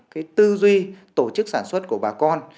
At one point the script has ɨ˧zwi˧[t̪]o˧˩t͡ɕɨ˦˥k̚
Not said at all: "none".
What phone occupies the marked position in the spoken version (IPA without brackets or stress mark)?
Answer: t̪